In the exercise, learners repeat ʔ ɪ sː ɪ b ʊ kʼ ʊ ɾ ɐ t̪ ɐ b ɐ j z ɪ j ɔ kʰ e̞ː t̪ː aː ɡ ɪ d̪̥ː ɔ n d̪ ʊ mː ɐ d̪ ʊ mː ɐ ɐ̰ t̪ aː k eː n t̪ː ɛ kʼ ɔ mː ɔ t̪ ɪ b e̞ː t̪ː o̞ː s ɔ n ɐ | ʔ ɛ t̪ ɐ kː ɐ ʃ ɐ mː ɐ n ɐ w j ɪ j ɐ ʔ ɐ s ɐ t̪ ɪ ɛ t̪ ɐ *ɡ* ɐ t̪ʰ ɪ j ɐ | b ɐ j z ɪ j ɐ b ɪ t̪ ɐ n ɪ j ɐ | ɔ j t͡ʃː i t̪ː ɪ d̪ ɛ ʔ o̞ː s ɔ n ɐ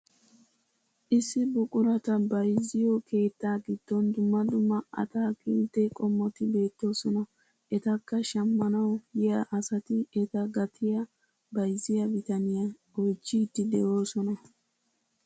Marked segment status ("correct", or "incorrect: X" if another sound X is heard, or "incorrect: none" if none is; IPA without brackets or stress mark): correct